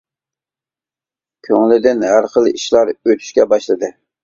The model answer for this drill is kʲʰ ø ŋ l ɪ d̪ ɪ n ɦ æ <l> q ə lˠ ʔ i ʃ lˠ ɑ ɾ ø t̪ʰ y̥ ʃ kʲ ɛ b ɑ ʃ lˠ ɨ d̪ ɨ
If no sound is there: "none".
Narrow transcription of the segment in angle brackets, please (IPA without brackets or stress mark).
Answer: ɾ